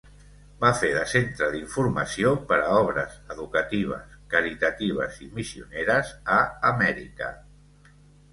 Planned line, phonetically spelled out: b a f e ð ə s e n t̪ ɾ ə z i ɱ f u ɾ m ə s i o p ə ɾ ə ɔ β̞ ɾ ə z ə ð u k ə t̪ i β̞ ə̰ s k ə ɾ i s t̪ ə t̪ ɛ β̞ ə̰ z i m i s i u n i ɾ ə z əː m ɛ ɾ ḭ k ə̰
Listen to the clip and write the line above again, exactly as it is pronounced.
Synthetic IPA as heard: b a f e ð ə s e n t̪ ɾ ə ð i ɱ f u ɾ m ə s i o p ə ɾ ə ɔ β̞ ɾ ə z ə ð u k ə t̪ i β̞ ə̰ s k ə ɾ i t̪ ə t̪ i β̞ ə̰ z i m i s i u n e ɾ ə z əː m ɛ ɾ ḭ k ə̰